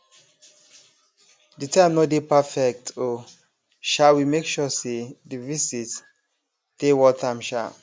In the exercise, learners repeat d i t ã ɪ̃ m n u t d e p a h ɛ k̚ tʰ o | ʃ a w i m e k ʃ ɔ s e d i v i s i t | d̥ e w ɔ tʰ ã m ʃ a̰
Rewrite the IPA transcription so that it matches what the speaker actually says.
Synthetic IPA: d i t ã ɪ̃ m n ɔ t d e p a f ɛ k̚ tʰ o | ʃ a w i m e k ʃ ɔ s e d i v i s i t | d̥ e w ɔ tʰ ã m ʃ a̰